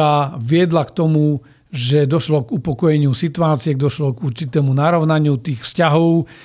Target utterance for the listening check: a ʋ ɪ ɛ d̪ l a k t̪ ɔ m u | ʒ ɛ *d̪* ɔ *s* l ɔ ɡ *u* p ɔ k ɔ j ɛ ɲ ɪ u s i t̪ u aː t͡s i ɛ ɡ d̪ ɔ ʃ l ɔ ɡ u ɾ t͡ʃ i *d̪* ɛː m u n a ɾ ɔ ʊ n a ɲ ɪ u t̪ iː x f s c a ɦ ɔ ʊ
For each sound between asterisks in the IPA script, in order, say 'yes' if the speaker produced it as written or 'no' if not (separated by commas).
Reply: yes, no, yes, no